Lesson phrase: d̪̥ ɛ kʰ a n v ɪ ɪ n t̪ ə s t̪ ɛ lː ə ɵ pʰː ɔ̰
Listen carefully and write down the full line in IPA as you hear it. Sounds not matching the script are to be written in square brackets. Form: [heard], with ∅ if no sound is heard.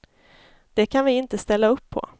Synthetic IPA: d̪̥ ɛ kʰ a n v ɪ ɪ n t̪ ə s t̪ ɛ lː [a] ɵ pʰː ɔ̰